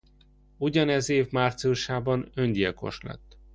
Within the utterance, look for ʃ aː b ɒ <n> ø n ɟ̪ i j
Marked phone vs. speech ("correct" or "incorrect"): correct